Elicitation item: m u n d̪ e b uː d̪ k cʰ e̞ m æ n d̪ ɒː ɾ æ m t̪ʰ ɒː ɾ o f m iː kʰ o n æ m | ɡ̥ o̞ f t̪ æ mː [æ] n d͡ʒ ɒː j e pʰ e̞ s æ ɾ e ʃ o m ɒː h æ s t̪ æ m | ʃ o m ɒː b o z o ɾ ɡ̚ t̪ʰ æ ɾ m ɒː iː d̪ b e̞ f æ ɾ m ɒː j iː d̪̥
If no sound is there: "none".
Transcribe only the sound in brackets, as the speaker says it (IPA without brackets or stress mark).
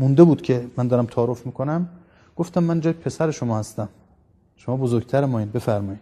æ